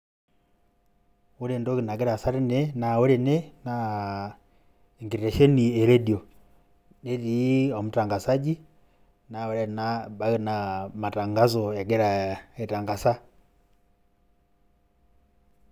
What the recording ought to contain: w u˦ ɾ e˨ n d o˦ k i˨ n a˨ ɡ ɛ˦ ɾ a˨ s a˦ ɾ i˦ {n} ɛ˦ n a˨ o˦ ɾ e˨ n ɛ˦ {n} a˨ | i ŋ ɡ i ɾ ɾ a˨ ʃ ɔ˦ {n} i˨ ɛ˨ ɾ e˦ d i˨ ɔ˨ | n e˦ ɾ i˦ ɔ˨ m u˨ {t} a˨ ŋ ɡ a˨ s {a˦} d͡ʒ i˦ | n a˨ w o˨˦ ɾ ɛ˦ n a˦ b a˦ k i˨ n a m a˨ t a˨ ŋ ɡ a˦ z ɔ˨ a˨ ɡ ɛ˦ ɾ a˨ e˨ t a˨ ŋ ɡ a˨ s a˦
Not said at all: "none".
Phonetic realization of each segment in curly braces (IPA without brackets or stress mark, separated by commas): n, n, n, t, a˦